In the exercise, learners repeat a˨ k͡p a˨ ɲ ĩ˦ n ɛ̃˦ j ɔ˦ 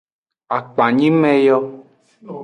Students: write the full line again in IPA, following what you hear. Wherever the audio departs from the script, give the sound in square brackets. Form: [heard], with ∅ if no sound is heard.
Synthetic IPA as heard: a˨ k͡p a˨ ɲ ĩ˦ [m] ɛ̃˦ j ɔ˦

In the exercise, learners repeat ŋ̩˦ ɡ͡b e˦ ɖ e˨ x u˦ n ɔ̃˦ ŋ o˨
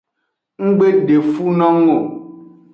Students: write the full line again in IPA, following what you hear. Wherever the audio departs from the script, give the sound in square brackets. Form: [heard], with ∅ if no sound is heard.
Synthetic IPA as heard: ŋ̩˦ ɡ͡b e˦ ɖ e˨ [f] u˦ n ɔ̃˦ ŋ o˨

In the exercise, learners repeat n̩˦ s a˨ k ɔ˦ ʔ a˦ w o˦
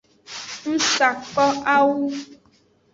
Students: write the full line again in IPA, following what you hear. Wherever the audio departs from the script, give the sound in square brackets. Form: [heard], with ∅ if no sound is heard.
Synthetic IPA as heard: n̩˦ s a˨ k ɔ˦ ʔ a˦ w [u˦]

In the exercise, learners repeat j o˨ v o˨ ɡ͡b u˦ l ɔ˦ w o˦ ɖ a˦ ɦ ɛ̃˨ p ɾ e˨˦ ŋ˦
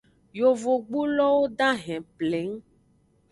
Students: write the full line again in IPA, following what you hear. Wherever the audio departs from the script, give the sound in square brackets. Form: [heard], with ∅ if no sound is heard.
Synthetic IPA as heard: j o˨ v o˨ ɡ͡b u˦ l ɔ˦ w o˦ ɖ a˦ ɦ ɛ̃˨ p [l] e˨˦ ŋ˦

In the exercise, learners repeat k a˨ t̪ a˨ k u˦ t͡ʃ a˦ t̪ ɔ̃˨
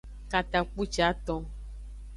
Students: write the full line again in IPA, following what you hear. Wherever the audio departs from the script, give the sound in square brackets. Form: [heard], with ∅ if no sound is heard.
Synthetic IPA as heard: k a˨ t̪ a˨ [k͡p] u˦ t͡ʃ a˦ t̪ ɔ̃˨

